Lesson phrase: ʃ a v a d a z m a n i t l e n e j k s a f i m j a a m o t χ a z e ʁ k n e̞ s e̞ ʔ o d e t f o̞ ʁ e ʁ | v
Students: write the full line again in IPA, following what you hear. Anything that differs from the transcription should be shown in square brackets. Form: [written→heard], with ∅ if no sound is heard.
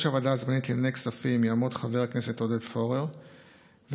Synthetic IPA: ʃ a v a d a z m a n i t l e n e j k s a f i m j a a m o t χ a [z→v] e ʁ k n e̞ s e̞ [ʔ→t] o d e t f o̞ ʁ e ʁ | v